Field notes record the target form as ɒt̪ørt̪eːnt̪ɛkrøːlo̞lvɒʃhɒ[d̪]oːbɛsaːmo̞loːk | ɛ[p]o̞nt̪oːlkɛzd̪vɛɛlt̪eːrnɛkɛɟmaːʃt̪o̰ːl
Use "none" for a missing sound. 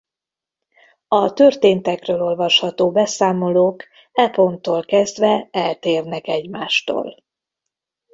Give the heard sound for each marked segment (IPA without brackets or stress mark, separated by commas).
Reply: t̪, p